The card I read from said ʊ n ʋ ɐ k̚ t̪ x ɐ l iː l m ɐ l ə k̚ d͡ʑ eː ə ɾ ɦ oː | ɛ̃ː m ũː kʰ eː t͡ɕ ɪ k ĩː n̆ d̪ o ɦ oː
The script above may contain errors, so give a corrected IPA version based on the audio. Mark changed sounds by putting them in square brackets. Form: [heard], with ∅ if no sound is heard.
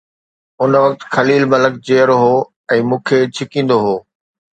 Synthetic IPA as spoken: ʊ n ʋ ɐ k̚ t̪ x ɐ l iː l m ɐ l ə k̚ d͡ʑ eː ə ɾ ɦ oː | ɛ̃ː m ũː kʰ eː [t͡ɕʰ] ɪ k ĩː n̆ d̪ o ɦ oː

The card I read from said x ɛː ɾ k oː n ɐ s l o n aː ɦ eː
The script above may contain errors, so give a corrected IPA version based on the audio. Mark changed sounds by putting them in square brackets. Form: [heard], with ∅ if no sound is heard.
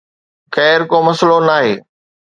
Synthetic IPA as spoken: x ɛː ɾ k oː [m] ɐ s l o n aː ɦ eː

